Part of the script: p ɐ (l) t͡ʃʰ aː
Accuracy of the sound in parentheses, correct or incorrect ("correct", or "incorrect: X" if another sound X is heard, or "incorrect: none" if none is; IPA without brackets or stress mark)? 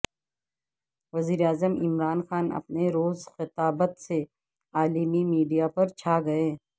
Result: incorrect: ɾ